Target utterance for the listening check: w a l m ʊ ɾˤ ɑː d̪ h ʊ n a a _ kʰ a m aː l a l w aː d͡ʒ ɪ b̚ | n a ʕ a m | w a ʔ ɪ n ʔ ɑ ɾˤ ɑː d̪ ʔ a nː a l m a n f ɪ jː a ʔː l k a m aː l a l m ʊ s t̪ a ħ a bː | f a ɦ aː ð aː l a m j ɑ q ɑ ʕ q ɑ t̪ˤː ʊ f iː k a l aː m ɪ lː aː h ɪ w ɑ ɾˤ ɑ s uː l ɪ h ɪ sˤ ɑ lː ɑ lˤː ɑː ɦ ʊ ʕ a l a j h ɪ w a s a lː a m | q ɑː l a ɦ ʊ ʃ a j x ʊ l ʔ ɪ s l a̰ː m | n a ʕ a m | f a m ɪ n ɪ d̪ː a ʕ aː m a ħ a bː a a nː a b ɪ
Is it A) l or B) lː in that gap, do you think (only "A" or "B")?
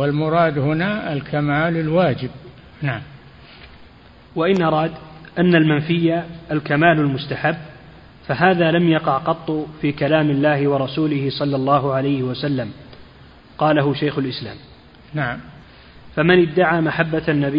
A